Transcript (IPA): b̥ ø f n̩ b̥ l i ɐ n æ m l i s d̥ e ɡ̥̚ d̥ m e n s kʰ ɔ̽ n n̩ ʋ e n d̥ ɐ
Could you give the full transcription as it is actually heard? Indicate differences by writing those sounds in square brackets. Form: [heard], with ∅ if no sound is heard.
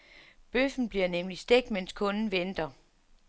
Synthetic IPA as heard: b̥ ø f n̩ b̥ l i ɐ n [e] m l i s d̥ e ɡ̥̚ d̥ m e n s kʰ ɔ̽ n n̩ ʋ e n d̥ ɐ